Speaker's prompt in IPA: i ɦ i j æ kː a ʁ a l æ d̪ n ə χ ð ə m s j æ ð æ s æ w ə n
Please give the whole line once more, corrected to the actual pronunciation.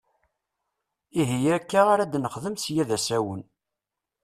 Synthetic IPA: i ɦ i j æ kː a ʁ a ɾ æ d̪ n ə χ ð ə m s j æ ð æ s æ w ə n